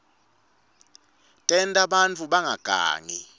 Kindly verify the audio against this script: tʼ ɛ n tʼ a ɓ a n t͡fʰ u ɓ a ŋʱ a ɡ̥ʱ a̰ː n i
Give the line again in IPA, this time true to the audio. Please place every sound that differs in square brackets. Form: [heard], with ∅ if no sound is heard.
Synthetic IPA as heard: tʼ ɛ n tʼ a ɓ a n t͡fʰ u ɓ a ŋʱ a ɡ̥ʱ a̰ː [ŋ] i